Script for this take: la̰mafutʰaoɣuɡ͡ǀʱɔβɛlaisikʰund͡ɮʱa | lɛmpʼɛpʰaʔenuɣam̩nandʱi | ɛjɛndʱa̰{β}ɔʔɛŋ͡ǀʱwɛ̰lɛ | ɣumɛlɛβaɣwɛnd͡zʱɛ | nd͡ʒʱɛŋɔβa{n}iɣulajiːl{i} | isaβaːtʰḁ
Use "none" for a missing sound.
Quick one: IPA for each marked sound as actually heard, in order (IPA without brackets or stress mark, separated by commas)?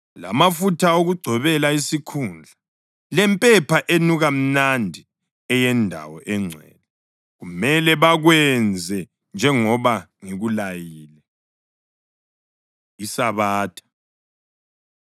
w, ŋ, ɛ